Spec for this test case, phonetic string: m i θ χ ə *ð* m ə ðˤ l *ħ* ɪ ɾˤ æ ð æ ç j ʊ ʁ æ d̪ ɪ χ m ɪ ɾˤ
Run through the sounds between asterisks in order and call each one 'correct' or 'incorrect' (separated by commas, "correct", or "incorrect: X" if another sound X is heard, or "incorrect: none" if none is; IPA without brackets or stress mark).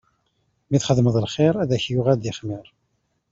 correct, incorrect: χ